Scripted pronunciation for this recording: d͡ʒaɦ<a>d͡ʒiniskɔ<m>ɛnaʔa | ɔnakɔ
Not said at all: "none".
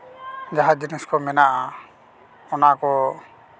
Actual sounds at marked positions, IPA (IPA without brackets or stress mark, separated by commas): a, m